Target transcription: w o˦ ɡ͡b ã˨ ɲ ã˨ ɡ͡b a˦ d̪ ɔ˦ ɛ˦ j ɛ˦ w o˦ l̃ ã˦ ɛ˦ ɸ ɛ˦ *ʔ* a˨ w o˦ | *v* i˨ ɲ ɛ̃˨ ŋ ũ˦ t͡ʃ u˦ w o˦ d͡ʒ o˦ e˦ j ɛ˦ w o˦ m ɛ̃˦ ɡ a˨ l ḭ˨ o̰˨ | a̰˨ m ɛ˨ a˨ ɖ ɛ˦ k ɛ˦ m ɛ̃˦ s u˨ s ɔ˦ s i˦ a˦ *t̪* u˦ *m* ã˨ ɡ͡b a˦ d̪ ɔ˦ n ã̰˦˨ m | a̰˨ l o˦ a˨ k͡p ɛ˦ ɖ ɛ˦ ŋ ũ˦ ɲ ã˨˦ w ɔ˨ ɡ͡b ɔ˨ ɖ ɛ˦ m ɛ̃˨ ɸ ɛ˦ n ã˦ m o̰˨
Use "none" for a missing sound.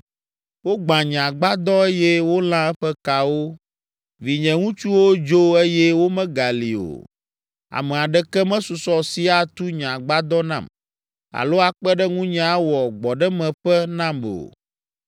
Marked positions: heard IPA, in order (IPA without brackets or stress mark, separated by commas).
k, v, t̪, ɲ